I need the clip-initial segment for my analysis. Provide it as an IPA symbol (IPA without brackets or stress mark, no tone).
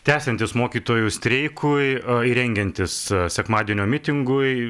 t̪ʲ